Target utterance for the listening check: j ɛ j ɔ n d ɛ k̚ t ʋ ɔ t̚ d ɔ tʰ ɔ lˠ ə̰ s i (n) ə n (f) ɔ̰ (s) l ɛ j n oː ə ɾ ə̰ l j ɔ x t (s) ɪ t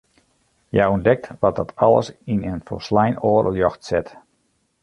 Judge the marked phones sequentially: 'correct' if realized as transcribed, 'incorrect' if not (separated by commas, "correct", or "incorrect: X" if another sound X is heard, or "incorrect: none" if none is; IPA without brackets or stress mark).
correct, correct, correct, correct